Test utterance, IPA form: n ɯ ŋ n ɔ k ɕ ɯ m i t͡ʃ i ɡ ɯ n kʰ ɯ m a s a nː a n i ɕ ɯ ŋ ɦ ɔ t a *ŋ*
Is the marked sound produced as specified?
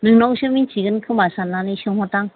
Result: yes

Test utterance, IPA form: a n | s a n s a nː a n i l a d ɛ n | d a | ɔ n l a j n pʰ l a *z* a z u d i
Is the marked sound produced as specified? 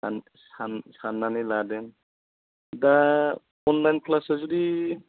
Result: no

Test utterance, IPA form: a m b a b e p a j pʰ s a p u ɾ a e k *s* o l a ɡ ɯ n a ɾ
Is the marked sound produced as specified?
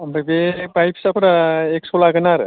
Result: yes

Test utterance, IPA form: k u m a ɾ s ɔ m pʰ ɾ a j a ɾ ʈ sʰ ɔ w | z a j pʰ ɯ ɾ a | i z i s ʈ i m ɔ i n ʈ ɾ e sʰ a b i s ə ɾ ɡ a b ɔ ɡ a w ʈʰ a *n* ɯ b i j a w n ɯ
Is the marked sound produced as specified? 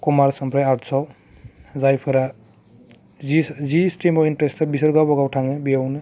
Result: no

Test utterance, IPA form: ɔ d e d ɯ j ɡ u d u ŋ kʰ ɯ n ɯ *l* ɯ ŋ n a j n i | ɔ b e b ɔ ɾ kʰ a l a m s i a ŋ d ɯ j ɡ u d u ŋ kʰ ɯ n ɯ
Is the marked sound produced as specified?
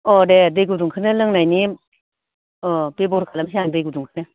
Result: yes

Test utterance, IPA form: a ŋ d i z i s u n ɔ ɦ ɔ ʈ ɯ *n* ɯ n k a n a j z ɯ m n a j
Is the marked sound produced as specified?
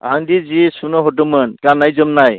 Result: no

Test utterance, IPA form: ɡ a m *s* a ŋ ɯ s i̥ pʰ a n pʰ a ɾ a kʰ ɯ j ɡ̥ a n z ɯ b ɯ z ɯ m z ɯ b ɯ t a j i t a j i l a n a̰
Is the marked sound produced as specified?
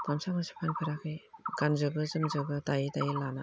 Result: yes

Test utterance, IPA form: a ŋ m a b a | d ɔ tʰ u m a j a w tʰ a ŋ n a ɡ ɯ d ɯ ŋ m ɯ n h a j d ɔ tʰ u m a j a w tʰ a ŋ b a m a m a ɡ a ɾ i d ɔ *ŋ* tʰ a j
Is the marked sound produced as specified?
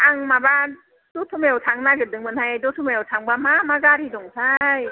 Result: yes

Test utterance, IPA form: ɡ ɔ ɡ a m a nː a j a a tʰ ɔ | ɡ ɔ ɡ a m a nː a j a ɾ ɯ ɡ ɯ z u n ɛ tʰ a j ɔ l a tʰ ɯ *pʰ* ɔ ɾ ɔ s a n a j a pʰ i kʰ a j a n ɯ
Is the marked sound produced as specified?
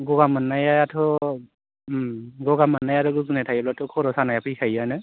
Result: no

